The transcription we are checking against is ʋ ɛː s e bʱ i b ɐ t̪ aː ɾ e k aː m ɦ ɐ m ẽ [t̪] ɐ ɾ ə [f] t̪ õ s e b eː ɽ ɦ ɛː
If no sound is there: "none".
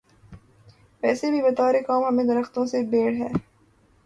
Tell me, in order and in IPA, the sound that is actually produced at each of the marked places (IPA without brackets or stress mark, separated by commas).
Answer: d̪, x